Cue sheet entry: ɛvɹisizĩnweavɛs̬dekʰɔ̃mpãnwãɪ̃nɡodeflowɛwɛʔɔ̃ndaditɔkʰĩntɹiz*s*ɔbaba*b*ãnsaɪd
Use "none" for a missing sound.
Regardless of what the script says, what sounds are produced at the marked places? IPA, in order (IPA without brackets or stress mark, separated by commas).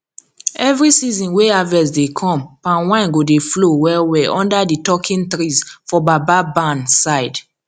f, b